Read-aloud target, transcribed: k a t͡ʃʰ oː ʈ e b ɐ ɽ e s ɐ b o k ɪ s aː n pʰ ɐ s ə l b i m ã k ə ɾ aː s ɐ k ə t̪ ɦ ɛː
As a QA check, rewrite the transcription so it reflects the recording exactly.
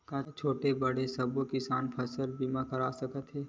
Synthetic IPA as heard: k a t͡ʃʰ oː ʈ e b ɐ ɽ e s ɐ b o k ɪ s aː n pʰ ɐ s ə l b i m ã k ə ɾ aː s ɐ k ə t̪ ɦ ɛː